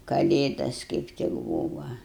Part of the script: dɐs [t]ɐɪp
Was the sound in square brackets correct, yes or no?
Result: no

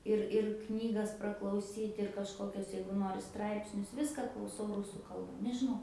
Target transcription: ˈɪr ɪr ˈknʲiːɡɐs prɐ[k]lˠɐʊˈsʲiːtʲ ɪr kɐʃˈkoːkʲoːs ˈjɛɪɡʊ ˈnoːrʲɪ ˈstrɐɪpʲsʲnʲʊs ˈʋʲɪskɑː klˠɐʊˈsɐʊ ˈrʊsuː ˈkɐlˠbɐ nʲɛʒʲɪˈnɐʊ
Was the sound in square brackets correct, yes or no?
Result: yes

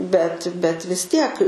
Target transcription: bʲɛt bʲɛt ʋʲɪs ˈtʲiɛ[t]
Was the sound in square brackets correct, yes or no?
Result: no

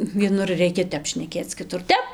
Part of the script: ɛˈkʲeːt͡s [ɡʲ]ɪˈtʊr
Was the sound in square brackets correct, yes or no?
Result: no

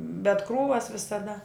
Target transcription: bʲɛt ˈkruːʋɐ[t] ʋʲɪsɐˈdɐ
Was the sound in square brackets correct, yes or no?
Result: no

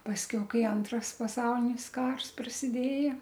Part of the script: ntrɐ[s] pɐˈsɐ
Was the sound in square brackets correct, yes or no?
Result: yes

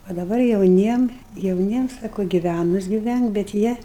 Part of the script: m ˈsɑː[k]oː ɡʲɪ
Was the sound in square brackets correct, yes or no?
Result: yes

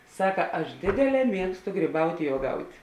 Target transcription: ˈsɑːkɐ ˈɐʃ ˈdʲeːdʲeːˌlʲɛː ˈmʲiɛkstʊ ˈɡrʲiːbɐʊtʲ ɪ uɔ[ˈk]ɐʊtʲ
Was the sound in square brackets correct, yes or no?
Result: no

